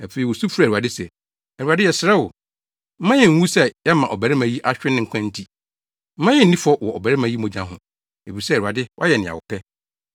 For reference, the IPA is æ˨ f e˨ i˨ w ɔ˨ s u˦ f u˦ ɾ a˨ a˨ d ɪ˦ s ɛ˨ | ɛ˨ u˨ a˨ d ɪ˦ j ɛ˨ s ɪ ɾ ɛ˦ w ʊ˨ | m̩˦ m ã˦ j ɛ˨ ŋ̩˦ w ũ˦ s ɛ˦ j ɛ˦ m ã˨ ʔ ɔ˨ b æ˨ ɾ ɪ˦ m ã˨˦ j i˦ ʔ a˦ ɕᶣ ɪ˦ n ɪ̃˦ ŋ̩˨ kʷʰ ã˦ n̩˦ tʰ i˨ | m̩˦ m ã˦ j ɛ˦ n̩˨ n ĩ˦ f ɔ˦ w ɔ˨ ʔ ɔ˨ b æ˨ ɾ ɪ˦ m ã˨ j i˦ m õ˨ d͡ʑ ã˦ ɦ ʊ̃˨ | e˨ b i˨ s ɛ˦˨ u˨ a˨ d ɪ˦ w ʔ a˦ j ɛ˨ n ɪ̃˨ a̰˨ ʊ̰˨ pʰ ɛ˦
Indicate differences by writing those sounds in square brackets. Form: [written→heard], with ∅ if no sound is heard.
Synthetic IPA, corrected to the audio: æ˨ f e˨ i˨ w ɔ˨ s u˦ f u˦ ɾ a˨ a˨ d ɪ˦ s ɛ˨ | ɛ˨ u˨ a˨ d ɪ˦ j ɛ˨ s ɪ ɾ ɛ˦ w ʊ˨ | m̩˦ m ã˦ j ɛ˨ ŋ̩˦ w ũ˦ s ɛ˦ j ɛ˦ m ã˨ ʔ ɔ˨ b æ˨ ɾ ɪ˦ m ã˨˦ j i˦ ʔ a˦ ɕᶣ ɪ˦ n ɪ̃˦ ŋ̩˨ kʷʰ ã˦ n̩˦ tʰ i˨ | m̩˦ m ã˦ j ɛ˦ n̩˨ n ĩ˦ f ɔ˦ w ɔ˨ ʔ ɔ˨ b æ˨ ɾ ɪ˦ m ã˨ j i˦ m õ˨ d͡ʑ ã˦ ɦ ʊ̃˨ | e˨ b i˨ s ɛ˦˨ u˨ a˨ d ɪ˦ w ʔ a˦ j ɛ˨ n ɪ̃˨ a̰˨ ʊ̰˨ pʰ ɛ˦